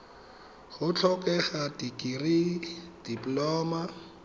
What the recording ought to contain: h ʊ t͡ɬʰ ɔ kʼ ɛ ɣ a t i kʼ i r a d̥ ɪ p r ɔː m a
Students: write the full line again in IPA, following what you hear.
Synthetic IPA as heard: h ʊ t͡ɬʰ ɔ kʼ ɛ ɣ a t i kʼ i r i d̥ i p l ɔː m a